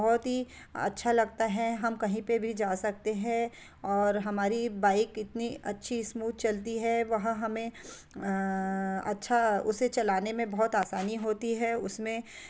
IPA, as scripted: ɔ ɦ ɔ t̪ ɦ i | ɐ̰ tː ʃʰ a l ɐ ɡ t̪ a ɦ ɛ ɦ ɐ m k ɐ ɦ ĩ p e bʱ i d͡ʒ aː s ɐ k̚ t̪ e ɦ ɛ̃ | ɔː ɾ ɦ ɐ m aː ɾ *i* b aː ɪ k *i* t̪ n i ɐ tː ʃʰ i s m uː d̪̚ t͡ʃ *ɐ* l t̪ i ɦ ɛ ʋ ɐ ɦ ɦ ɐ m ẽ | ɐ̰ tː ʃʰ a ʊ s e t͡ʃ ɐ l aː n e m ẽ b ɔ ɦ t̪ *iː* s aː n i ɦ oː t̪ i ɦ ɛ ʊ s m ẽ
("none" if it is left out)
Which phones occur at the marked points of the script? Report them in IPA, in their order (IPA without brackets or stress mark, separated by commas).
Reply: i, ɪ, ɐ, aː